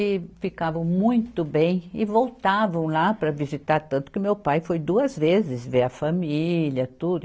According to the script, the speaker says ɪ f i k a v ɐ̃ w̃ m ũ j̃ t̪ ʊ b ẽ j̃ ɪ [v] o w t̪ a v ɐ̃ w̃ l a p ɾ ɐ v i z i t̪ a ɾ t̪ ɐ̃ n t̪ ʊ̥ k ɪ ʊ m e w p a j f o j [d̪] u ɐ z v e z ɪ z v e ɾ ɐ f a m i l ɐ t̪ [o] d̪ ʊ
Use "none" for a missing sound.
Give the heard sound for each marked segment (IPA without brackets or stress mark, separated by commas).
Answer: v, d̪, u